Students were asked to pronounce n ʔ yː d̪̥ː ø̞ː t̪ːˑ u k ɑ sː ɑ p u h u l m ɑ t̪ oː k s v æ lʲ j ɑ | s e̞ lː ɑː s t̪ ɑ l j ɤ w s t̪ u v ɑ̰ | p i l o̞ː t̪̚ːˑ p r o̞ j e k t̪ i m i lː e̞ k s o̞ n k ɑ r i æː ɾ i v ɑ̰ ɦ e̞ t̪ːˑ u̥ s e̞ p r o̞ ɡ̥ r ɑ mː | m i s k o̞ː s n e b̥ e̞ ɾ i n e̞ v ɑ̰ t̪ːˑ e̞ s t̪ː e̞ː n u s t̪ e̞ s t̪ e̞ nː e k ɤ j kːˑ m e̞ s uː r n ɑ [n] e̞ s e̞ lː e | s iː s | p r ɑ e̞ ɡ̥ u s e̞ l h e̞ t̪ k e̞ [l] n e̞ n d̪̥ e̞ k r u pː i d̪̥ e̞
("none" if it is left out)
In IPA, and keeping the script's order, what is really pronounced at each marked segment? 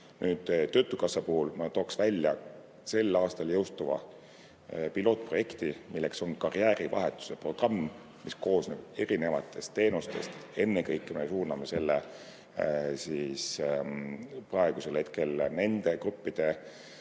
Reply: m, l

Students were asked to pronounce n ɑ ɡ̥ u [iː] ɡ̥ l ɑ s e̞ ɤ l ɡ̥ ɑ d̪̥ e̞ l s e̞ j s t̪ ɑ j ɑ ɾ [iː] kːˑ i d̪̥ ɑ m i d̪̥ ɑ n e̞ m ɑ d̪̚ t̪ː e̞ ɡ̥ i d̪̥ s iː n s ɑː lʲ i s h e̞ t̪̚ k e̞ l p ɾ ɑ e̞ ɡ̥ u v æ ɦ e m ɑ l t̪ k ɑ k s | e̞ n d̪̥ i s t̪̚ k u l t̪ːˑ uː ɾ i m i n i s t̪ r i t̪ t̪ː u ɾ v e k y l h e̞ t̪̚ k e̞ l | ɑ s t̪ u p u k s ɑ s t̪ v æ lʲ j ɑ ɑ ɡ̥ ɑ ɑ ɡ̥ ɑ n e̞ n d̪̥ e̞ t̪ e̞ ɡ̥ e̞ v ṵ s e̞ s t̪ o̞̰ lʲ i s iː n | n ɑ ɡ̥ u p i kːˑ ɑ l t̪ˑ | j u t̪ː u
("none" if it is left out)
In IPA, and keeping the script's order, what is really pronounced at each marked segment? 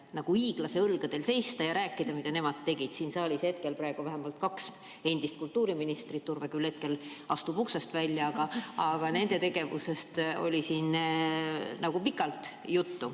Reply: iː, æː

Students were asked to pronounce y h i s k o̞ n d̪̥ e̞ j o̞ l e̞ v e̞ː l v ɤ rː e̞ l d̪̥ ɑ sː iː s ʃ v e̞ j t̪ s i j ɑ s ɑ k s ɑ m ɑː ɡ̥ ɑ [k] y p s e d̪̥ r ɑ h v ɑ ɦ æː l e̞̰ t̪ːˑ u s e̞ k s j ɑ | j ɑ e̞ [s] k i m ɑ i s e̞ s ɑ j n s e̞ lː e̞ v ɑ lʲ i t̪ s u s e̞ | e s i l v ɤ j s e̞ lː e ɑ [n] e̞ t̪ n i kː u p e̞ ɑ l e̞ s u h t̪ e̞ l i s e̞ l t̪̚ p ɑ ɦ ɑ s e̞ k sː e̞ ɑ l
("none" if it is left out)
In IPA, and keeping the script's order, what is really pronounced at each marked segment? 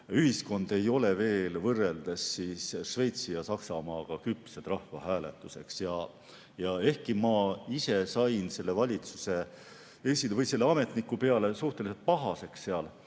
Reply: k, h, m

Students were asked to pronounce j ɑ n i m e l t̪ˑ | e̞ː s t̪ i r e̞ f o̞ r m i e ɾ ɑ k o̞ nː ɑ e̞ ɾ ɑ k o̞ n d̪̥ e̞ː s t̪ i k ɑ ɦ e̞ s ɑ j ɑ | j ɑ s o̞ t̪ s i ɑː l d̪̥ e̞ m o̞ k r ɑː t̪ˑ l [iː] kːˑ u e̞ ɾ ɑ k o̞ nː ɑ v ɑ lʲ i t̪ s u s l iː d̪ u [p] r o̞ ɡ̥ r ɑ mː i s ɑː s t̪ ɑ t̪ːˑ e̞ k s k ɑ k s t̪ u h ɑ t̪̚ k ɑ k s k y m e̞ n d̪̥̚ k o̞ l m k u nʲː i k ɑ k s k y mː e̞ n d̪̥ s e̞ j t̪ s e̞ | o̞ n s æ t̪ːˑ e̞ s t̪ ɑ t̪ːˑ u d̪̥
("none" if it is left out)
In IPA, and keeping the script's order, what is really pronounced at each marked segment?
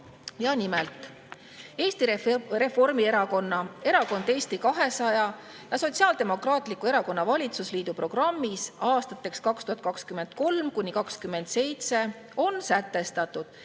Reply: i, p

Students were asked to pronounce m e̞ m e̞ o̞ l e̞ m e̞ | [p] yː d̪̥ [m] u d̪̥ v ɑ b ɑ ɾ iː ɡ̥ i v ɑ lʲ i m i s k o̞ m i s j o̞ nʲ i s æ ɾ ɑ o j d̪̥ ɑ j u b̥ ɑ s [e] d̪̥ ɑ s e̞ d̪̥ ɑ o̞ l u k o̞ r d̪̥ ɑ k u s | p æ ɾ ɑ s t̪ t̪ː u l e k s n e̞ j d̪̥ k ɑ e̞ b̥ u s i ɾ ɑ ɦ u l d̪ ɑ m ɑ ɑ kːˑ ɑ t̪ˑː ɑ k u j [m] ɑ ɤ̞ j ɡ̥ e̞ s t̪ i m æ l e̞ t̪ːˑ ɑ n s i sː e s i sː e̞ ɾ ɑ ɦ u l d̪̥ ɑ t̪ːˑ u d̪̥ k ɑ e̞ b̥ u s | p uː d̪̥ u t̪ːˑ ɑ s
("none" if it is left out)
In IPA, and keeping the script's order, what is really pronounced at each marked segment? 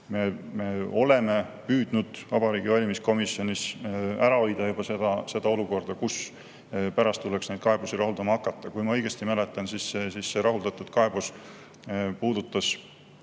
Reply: p, n, e, m

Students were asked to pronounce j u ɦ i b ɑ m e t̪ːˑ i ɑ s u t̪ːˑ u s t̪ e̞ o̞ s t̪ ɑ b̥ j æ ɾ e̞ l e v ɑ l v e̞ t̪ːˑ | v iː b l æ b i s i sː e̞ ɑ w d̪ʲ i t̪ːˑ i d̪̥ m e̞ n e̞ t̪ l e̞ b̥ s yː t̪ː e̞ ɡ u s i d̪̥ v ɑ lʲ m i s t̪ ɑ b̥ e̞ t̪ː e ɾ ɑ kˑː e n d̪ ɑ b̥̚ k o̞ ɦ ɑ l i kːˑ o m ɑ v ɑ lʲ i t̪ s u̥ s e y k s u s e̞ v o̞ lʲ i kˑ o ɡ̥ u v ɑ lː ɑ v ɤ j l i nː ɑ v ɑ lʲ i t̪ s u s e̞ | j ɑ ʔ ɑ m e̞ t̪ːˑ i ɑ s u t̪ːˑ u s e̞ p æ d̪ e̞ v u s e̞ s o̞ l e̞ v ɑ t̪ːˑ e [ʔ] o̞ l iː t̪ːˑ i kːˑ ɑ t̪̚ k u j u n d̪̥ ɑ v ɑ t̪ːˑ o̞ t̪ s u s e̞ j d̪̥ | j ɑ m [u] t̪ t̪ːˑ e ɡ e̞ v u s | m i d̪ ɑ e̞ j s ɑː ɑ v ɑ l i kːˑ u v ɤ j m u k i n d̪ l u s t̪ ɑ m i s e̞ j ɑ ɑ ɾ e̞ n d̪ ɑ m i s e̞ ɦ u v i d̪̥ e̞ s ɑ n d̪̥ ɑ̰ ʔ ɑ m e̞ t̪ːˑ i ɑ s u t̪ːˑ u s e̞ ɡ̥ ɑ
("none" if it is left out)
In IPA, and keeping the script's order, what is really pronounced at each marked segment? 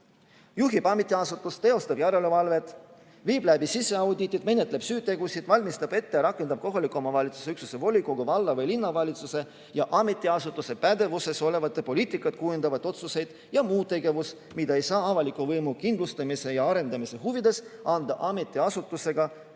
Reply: p, uː

